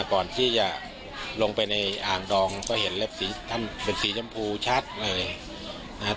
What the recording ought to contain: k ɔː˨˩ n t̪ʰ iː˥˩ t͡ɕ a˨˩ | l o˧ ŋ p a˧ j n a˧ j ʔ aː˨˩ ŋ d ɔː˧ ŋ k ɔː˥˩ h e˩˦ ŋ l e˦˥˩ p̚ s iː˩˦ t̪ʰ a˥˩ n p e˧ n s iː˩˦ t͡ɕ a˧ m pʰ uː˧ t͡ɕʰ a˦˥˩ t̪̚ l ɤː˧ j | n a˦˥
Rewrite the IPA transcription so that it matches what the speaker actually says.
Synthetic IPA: k ɔː˨˩ n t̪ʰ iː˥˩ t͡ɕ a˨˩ | l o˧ ŋ p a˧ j n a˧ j ʔ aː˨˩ ŋ d ɔː˧ ŋ k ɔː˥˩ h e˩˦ n l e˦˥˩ p̚ s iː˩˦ t̪ʰ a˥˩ n p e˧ n s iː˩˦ t͡ɕ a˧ m pʰ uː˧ t͡ɕʰ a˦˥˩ t̪̚ l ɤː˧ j | n a˦˥